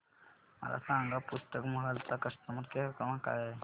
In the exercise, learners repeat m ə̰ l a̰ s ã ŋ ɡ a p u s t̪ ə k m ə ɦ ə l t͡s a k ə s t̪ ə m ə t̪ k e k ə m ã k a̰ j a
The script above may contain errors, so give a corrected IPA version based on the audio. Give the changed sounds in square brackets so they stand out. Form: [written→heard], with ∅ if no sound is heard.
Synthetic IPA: m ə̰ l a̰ s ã ŋ ɡ a p u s t̪ ə k m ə ɦ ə l t͡s a k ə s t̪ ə m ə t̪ k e k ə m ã k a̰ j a